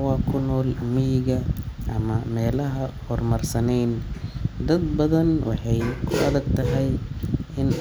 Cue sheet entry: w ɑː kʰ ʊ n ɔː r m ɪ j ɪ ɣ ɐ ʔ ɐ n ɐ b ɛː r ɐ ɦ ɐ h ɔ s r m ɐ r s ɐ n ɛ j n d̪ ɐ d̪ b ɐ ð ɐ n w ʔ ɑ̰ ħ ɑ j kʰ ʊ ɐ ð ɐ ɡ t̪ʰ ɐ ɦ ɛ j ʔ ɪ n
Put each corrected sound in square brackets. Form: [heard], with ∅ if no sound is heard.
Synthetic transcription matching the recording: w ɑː kʰ ʊ n ɔː [l] m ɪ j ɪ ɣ ɐ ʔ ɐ [m] ɐ [m] ɛː [l] ɐ ɦ ɐ h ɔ [∅] r m ɐ r s ɐ n ɛ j n d̪ ɐ d̪ b ɐ ð ɐ n w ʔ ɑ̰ ħ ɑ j kʰ ʊ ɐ ð ɐ ɡ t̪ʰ ɐ ɦ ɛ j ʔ ɪ n